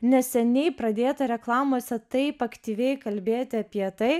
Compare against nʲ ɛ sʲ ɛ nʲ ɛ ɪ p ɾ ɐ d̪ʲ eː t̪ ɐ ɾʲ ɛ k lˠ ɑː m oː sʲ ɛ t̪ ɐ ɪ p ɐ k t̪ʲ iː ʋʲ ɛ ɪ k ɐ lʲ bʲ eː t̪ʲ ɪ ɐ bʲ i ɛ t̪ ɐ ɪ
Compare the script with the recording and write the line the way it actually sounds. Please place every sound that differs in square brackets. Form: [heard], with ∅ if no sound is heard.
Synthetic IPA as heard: nʲ ɛ sʲ ɛ nʲ ɛ ɪ p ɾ ɐ d̪ʲ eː t̪ ɐ ɾʲ ɛ k lˠ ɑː m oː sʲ ɛ t̪ ɐ ɪ p ɐ k t̪ʲ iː ʋʲ ɛ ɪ k ɐ lʲ bʲ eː t̪ʲ ɪ ɐ [pʲ] i ɛ t̪ ɐ ɪ